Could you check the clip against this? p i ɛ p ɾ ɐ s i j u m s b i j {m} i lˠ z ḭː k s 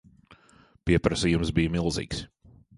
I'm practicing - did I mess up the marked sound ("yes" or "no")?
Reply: no